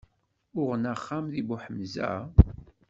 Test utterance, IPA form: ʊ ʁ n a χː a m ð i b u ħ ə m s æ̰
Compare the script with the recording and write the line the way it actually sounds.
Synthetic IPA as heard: ʊ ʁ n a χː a m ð i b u ħ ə m z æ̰